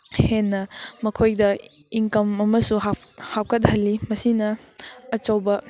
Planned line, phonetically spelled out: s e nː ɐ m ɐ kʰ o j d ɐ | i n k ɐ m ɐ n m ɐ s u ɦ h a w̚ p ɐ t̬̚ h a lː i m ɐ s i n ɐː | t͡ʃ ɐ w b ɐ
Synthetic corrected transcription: h e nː ɐ m ɐ kʰ o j d ɐ | i ŋ k ɐ m ɐ m ɐ s u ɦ h a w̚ k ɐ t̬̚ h ɐ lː i m ɐ s i n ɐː | t͡ʃ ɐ w b ɐ